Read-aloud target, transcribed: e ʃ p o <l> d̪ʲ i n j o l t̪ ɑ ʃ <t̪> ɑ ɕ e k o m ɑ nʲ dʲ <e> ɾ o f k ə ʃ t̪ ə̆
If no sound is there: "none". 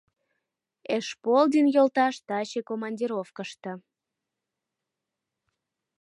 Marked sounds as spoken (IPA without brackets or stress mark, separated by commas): l, t̪, i